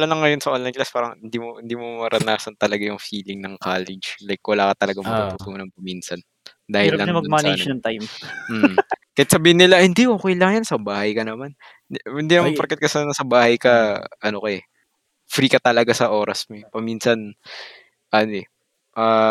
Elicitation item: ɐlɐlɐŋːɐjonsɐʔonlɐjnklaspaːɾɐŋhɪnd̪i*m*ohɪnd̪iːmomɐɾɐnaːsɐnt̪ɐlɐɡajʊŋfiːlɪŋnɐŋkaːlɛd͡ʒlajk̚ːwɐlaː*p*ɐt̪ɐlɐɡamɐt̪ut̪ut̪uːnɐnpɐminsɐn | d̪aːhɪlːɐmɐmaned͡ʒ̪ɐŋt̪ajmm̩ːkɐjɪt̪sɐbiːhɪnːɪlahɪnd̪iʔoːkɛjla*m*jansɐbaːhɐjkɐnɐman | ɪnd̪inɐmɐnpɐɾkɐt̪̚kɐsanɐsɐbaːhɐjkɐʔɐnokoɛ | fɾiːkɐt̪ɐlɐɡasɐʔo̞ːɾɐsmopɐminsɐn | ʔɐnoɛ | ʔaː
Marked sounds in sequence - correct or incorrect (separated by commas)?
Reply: correct, incorrect, incorrect